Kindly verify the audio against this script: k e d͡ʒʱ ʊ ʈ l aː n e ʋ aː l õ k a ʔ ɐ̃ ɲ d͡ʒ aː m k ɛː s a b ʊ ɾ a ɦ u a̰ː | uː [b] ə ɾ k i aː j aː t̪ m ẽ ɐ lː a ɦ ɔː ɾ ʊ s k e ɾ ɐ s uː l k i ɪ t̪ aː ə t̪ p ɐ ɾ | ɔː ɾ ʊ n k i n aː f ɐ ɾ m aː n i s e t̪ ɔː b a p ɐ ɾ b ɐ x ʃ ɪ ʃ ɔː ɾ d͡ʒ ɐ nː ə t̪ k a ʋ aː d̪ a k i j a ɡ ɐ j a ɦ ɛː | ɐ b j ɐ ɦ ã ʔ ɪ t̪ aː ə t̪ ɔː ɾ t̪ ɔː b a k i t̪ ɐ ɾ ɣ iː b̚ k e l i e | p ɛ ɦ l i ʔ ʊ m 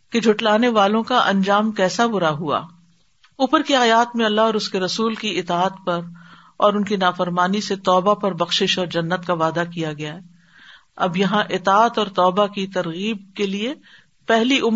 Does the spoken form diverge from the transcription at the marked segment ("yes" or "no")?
yes